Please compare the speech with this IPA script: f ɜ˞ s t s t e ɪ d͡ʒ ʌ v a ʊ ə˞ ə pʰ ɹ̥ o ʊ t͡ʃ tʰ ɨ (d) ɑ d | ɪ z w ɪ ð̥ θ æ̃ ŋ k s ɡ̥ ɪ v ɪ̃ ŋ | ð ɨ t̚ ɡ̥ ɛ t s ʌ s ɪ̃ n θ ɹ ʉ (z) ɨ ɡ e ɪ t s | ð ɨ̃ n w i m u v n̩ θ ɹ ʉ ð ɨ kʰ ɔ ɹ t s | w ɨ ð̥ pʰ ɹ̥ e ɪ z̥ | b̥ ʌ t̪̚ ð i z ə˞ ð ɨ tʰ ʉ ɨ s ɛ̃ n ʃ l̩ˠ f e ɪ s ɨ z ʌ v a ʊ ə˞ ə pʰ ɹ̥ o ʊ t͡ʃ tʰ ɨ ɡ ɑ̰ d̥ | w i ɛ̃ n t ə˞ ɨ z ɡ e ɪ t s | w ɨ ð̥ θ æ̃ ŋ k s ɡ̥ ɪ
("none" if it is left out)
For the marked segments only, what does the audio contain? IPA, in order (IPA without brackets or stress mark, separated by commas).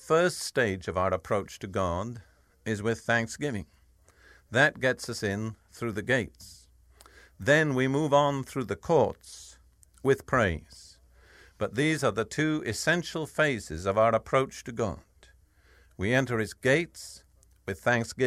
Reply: ɡ, ð